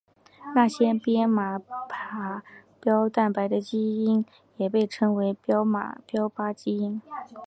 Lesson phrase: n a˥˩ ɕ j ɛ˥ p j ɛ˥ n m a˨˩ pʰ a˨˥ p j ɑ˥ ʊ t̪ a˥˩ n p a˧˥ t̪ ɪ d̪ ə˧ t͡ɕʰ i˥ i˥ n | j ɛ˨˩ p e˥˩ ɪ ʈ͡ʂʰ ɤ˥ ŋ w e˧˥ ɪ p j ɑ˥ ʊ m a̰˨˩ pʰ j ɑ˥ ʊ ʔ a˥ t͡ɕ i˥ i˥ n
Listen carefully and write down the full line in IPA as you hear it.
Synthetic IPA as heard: n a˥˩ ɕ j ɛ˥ p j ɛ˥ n m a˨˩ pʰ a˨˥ p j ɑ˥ ʊ t̪ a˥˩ n p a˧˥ ɪ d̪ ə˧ t͡ɕ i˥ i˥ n | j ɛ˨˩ p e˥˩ ɪ ʈ͡ʂʰ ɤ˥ ŋ w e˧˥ ɪ p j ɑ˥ ʊ m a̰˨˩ p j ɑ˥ ʊ p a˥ t͡ɕ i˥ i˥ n